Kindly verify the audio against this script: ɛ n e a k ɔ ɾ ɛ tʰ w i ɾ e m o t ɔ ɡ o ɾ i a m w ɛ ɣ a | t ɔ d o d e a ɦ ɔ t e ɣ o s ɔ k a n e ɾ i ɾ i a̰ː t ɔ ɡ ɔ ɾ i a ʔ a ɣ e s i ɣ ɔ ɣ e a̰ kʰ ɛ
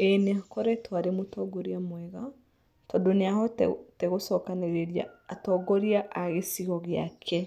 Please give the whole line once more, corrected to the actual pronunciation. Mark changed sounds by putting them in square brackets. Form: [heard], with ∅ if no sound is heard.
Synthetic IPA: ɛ n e a k ɔ ɾ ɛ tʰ w [a] ɾ e m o t ɔ ɡ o ɾ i a m w ɛ ɣ a | t ɔ d o [n] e a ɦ ɔ t e ɣ o s ɔ k a n e ɾ [e] ɾ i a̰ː t ɔ ɡ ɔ ɾ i a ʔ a ɣ e s i ɣ ɔ ɣ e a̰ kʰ ɛ